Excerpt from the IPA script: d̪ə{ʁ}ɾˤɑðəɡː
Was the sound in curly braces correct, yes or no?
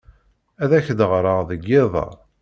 yes